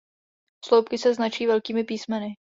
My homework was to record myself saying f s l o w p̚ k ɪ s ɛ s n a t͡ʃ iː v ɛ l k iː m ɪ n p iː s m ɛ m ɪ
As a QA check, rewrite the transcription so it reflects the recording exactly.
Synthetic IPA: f s l o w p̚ k ɪ s ɛ z n a t͡ʃ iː v ɛ l k iː m ɪ p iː s m ɛ n ɪ